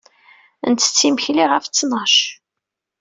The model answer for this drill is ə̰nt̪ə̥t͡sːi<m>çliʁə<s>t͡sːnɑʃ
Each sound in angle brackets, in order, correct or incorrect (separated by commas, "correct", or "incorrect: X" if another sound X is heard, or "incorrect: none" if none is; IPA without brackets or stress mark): correct, incorrect: f